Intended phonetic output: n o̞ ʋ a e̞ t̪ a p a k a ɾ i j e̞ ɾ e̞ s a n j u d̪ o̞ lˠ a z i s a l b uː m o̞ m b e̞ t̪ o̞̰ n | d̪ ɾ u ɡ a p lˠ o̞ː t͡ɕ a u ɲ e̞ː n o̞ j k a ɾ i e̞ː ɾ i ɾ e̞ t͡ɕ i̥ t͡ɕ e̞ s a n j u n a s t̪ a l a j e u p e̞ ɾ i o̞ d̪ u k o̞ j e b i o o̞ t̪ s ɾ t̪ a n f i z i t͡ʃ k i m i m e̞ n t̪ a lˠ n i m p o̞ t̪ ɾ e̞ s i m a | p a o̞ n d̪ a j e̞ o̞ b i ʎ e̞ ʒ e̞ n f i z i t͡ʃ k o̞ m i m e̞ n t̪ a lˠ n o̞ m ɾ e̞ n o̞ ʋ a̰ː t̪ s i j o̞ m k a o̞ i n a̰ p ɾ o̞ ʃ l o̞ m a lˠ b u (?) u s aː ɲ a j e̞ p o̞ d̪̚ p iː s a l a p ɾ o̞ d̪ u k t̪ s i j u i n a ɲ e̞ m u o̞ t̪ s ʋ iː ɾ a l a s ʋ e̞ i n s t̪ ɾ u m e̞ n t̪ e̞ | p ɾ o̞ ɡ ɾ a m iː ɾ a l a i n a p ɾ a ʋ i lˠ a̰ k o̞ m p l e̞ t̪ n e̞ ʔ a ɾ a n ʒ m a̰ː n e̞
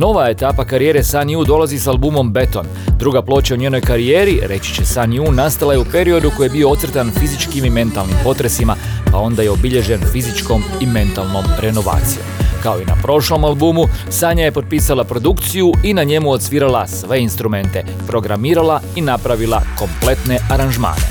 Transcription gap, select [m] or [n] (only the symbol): m